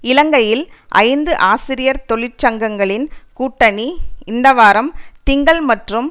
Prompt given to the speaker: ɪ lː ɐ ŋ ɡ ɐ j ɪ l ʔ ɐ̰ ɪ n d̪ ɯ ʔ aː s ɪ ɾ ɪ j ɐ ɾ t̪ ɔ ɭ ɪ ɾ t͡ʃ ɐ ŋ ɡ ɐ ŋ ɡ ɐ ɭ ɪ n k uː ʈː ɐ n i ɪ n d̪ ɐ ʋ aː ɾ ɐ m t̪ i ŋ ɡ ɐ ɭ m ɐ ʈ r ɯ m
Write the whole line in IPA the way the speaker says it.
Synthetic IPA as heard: ɪ l ɐ ŋ ɡ ɐ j ɪ l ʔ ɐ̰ ɪ n d̪ ɯ ʔ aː s ɪ ɾ ɪ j ɐ ɾ t̪ ɔ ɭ ɪ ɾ t͡ʃ ɐ ŋ ɡ ɐ ŋ ɡ ɐ ɭ ɪ n k uː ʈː ɐ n i ɪ n d̪ ɐ ʋ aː ɾ ɐ m t̪ ɪ ŋ ɡ ɐ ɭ m ɐ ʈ r ɯ m